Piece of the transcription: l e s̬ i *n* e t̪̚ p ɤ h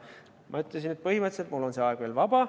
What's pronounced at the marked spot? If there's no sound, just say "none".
n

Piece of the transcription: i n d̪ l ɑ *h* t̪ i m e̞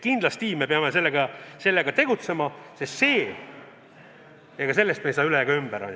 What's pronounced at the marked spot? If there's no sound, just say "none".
s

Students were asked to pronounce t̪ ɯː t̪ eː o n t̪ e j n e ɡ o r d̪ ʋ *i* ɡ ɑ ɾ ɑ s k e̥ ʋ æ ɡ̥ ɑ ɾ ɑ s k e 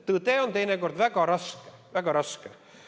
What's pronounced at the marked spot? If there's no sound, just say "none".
æ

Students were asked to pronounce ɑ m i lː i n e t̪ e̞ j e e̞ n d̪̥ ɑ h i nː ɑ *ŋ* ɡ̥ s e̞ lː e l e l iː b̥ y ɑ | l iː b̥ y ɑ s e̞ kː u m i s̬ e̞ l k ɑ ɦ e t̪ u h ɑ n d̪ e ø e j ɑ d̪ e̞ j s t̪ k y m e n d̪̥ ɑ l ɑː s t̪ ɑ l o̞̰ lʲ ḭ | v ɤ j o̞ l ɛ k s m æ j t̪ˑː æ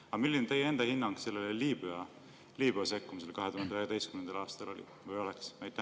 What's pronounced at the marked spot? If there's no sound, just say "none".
ŋ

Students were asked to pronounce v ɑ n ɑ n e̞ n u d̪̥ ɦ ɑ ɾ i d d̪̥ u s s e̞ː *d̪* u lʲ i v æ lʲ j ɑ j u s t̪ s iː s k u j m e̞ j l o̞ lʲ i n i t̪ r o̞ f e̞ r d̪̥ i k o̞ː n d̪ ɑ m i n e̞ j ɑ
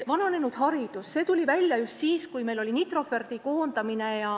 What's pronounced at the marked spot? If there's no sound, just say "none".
t̪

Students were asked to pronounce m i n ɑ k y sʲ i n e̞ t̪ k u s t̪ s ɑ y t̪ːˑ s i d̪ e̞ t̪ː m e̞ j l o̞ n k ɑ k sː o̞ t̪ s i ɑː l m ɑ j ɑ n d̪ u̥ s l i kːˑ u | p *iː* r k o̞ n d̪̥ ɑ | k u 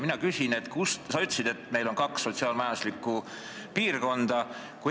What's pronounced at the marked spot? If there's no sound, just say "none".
iː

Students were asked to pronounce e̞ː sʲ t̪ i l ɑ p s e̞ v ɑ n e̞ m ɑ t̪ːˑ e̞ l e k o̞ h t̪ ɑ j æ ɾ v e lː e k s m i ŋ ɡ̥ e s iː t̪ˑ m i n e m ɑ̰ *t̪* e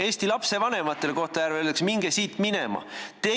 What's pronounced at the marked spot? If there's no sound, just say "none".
t̪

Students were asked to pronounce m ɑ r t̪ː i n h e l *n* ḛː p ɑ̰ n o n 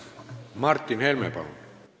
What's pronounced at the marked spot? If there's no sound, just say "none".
m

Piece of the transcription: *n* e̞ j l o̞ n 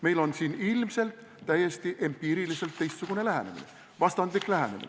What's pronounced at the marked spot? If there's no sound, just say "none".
m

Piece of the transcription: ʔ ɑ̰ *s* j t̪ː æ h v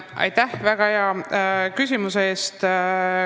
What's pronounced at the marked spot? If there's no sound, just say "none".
none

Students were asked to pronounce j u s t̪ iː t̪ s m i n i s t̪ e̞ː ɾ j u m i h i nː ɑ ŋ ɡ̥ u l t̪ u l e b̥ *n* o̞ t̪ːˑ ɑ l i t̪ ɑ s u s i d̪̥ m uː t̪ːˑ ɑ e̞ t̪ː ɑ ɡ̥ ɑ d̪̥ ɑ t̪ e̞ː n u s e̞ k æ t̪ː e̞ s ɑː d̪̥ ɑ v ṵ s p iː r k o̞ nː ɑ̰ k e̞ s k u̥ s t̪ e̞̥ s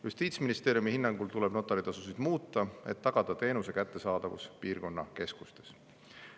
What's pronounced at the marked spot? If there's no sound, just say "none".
n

